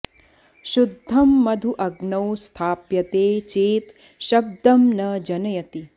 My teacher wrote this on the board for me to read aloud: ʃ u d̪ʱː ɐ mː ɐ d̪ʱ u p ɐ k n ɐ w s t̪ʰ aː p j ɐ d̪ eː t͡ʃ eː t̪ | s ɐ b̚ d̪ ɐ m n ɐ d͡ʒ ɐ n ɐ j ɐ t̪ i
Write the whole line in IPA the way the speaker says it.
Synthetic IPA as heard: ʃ u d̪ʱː ɐ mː ɐ d̪ʱ u ʔ ɐ ɡ n ɐ w s t̪ʰ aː p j ɐ t̪ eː t͡ʃ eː t̪ | ʃ ɐ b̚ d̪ ɐ m n ɐ d͡ʒ ɐ n ɐ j ɐ t̪ i